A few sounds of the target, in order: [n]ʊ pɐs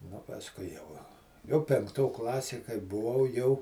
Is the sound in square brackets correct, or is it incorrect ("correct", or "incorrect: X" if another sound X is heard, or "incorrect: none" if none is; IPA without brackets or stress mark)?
correct